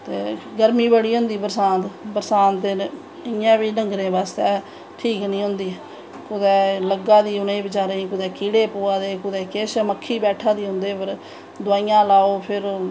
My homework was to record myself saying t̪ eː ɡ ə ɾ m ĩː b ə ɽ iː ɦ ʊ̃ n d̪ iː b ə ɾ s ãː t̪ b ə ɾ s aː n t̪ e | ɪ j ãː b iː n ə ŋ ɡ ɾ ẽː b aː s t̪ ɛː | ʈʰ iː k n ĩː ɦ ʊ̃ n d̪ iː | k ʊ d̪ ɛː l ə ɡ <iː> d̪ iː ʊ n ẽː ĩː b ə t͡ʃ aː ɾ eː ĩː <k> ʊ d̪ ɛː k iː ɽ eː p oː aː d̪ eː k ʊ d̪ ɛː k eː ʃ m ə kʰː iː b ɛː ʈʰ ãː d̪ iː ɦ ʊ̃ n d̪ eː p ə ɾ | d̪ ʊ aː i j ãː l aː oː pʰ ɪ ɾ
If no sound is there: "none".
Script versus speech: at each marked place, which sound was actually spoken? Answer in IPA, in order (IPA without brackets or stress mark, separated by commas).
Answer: aː, k